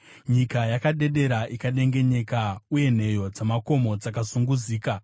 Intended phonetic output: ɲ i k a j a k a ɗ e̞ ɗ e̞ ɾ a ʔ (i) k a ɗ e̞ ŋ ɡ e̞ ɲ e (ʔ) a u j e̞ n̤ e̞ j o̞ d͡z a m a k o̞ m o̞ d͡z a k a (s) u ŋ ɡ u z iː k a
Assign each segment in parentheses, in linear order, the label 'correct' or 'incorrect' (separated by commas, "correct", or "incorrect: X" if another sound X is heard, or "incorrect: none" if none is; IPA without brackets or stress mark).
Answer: correct, incorrect: k, correct